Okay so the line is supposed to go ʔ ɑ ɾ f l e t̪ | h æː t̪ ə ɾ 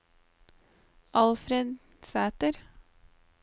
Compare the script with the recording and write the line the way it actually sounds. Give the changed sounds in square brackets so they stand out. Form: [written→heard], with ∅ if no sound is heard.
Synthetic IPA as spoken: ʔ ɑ [ɾ→l] f [l→ɾ] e [t̪→d̪] | [h→s] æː t̪ ə ɾ